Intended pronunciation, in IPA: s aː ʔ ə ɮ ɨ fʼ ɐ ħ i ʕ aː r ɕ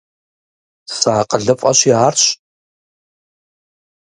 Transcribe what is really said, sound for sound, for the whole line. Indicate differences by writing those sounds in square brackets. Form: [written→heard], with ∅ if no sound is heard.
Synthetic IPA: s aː [ʔ→q] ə ɮ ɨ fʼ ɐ [ħ→ɕ] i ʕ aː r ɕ